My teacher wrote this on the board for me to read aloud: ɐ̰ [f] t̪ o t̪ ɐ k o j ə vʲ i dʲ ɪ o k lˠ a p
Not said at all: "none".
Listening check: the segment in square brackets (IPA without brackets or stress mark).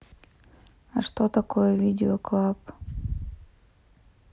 ʂ